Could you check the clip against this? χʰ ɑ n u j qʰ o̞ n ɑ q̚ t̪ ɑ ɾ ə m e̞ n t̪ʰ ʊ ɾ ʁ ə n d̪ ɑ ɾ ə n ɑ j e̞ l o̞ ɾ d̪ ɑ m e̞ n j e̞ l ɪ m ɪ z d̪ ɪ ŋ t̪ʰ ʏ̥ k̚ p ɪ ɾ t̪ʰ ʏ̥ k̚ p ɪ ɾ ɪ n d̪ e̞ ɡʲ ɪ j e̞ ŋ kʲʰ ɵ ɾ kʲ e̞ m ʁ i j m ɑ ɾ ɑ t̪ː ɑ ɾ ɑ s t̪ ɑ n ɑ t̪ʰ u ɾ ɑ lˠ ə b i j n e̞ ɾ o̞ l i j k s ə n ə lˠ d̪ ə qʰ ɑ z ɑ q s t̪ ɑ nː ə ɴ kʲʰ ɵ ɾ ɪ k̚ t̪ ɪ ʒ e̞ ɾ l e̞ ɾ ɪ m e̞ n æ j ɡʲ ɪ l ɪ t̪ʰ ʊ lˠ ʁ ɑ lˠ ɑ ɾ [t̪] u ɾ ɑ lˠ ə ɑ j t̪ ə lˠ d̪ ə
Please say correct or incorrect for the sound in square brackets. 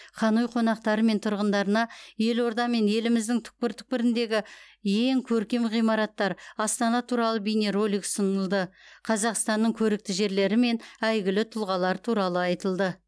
incorrect